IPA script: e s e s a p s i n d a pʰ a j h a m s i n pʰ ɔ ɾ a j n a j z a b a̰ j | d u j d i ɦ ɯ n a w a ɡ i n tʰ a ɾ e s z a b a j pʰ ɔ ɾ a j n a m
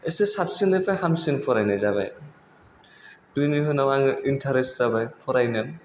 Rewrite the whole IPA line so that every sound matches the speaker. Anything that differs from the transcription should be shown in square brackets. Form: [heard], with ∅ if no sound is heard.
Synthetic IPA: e s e s a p s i n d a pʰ a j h a m s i n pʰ ɔ ɾ a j n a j z a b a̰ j | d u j [n] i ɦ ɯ n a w a [ŋ] i n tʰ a ɾ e s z a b a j pʰ ɔ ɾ a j n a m